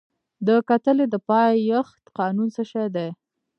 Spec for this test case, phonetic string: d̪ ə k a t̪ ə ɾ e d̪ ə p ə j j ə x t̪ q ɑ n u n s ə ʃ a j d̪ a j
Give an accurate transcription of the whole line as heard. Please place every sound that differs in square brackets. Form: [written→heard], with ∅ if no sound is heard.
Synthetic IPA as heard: d̪ ə k a t̪ ə [ɾ→l] e d̪ ə p [ə→ɑ] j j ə x t̪ q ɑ n u n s ə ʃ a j d̪ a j